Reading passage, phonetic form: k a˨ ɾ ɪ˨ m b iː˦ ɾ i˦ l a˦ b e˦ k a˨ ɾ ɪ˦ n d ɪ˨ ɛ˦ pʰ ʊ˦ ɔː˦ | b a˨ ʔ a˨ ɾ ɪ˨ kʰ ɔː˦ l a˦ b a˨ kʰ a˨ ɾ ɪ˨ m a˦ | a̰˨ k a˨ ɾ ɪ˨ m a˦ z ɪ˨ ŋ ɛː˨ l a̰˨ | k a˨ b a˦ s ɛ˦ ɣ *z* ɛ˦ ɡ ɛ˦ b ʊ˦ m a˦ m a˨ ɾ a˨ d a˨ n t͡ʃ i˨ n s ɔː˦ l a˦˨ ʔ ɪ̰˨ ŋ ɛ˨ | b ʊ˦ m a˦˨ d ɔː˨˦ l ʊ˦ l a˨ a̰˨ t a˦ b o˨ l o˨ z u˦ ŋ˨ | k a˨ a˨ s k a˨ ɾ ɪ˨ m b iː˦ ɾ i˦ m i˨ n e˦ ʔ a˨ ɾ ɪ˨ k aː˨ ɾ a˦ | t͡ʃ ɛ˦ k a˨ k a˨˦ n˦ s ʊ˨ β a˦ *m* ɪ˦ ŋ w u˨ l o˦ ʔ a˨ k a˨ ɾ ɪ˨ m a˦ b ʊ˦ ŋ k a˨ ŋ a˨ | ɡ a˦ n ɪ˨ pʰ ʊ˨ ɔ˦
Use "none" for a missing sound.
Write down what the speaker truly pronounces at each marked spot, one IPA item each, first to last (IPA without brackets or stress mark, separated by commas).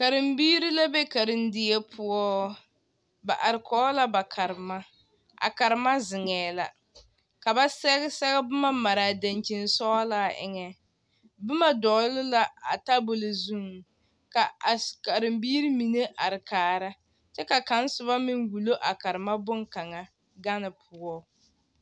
s, m